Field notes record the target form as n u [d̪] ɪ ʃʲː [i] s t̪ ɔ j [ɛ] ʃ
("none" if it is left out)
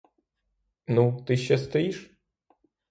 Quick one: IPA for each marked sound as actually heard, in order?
t̪, ɛ, i

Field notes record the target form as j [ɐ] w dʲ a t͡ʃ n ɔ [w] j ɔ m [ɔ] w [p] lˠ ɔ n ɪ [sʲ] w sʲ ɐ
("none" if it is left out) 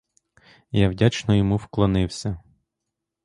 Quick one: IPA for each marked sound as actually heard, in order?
a, none, u, k, none

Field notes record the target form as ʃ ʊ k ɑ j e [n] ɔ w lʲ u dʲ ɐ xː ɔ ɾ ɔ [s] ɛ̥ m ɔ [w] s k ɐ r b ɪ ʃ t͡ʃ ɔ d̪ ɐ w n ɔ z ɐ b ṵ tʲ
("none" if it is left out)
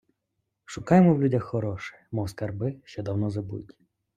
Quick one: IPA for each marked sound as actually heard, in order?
m, ʃ, w

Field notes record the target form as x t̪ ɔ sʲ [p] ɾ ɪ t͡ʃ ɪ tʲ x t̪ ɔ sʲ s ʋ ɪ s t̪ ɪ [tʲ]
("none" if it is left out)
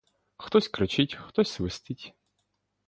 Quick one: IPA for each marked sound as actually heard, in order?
k, tʲ

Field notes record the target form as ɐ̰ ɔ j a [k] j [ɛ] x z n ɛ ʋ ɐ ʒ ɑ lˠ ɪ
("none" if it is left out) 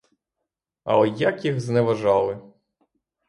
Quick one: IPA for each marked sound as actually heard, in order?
k, i

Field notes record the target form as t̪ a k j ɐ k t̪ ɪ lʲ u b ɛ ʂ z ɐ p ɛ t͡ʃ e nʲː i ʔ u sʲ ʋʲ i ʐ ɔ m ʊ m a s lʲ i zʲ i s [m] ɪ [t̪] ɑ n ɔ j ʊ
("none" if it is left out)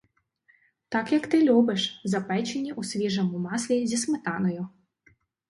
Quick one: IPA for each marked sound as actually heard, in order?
m, t̪

